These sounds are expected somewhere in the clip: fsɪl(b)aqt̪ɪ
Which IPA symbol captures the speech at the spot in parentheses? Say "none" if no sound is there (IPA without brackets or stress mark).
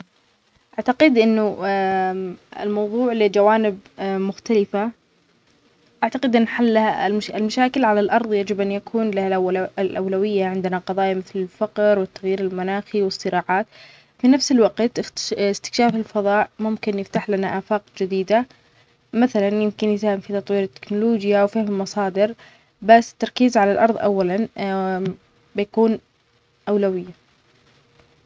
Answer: w